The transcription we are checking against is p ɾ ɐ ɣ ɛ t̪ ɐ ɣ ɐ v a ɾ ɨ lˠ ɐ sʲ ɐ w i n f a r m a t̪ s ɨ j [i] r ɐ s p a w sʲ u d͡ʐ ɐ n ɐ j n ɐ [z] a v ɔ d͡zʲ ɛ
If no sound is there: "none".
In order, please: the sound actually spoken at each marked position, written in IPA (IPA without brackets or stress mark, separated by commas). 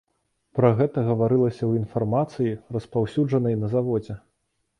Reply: i, z